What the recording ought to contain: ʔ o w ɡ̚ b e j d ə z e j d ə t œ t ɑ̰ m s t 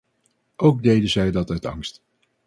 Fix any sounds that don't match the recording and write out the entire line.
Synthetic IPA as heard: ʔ o w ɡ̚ d e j d ə z ɛ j d ɑ t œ t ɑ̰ ŋ s t